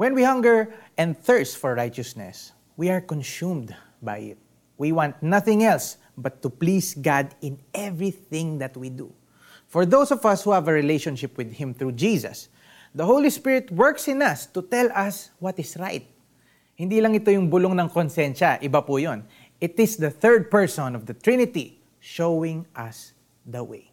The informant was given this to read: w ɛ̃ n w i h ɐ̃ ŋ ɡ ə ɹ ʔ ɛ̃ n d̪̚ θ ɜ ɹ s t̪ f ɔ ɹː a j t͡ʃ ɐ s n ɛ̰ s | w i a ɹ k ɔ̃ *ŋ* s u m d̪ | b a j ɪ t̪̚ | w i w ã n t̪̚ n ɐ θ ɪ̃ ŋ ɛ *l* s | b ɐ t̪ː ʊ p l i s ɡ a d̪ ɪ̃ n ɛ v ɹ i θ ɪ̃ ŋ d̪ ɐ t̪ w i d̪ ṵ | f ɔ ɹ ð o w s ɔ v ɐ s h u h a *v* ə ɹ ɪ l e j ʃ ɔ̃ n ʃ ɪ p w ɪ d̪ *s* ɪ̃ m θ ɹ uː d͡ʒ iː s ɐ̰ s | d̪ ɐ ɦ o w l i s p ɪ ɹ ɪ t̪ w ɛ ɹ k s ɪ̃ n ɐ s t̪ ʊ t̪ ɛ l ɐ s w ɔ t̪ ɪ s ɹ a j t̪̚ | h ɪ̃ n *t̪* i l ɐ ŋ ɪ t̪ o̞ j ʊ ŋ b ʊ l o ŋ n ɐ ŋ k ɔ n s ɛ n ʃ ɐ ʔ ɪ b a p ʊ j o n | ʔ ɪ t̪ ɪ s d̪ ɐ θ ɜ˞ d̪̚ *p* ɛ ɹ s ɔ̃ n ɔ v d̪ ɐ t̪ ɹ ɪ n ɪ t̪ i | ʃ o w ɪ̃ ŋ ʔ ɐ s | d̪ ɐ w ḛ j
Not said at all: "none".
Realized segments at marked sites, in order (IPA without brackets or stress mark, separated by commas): n, l, v, h, d̪, p